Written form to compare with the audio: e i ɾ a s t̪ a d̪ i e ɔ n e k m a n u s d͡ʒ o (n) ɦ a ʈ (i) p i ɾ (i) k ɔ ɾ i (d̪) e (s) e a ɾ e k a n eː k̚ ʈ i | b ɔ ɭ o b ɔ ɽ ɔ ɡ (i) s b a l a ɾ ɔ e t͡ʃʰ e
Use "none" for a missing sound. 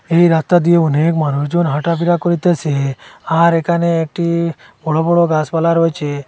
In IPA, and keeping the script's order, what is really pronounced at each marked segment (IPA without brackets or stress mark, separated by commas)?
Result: n, a, a, t̪, s, a